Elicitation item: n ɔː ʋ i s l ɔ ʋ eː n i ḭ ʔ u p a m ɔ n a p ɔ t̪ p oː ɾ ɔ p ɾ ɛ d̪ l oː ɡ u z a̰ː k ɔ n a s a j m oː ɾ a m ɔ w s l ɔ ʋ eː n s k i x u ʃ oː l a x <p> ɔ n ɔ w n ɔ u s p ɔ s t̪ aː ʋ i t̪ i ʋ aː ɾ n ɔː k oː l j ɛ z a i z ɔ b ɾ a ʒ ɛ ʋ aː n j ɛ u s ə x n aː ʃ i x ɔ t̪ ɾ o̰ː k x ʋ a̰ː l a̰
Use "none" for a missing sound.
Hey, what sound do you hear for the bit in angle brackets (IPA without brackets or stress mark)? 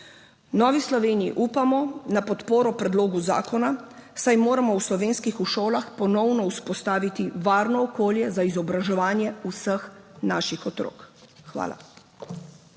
p